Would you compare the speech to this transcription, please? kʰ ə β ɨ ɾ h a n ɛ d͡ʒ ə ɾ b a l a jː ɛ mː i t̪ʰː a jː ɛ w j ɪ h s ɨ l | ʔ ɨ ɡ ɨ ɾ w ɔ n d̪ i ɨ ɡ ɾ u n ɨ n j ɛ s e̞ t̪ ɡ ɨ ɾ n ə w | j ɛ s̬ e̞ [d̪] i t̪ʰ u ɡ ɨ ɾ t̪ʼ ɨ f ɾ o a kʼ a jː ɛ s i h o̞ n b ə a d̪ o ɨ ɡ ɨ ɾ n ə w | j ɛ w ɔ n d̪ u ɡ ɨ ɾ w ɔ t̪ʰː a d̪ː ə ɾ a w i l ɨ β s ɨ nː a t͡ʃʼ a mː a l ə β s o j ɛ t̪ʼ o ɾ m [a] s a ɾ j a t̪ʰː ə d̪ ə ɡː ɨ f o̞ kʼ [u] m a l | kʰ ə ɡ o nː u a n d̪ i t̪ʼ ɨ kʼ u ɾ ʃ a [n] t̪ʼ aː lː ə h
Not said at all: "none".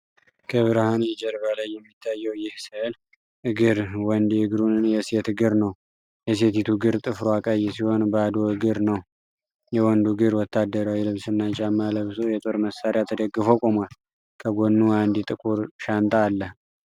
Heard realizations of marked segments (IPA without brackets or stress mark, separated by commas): t̪, ə, o, n